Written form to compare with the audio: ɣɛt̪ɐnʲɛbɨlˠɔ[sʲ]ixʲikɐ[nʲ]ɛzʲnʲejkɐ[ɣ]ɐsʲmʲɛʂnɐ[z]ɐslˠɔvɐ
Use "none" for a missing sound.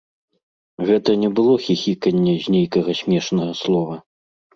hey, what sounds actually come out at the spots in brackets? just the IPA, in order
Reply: xʲ, nʲː, ɣ, ɣ

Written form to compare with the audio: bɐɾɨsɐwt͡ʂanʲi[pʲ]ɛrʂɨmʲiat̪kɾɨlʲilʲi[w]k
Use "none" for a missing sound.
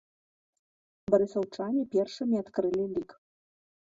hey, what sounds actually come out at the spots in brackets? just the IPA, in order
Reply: pʲ, none

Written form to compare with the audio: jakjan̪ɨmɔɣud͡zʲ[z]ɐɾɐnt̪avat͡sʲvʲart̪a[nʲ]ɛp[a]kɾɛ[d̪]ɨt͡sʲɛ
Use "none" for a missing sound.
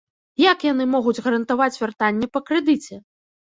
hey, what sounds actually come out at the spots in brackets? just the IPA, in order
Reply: ɣ, nʲː, ɐ, d̪

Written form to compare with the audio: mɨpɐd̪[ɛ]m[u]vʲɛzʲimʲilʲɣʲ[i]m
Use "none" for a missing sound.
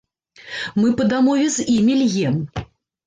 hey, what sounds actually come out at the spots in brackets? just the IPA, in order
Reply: a, ɔ, ɛ

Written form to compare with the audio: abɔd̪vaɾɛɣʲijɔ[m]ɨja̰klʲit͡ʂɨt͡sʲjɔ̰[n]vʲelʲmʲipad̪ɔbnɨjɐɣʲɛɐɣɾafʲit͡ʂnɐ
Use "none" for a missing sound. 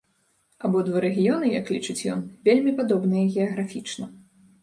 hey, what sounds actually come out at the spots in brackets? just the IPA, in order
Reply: n, n

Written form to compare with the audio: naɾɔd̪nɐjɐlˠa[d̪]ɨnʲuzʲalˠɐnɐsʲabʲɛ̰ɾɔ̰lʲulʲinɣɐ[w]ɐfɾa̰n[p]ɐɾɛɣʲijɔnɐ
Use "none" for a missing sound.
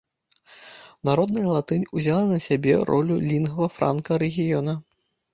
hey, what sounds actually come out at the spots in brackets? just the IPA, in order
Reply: t̪, v, k

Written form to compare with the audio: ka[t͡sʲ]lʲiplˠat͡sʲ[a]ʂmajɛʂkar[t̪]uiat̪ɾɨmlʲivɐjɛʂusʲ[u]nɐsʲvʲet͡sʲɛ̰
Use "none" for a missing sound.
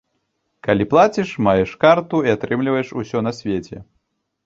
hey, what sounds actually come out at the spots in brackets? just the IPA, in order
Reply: none, i, t̪, ɔ

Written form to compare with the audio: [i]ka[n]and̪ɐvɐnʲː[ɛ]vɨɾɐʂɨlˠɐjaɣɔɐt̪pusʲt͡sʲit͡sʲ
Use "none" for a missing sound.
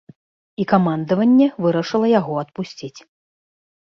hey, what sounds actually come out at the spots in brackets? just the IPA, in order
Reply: i, m, ɛ

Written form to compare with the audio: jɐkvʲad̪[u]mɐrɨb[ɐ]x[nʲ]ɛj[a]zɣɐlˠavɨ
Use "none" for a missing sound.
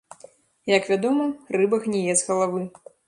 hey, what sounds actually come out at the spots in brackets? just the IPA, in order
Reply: ɔ, ɐ, nʲ, ɛ

